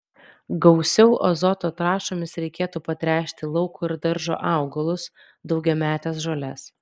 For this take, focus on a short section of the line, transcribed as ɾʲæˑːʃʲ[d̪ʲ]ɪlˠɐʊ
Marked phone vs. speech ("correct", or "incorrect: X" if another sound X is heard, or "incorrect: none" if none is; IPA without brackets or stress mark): incorrect: t̪ʲ